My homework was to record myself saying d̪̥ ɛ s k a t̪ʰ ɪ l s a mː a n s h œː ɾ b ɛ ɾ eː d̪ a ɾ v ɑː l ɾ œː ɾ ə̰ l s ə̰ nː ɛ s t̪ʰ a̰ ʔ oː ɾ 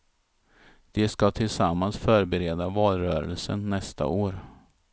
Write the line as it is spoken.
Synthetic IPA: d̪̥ ɛ s k a t̪ʰ ɪ l s a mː a n s f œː ɾ b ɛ ɾ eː d̪ a v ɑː l ɾ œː ɾ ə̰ l s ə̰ nː ɛ s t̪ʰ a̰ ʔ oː ɾ